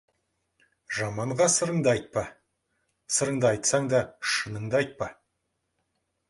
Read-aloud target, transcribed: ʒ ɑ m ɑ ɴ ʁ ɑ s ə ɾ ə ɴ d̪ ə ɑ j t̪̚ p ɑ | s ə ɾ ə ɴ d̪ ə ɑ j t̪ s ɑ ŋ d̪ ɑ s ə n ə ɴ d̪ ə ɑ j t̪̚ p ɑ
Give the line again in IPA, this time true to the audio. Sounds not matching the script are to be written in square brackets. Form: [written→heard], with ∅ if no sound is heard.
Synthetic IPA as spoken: ʒ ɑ m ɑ ɴ ʁ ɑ s ə ɾ ə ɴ d̪ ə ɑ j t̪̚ p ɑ | s ə ɾ ə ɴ d̪ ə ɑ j t̪ s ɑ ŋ d̪ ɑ [s→ʃ] ə n ə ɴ d̪ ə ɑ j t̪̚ p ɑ